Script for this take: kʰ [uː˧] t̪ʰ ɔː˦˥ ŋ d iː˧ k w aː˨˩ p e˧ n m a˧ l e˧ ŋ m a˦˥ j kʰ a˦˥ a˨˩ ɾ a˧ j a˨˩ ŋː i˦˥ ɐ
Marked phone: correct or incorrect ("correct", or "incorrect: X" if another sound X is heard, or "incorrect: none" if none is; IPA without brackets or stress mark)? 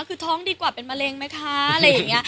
incorrect: ɯː˧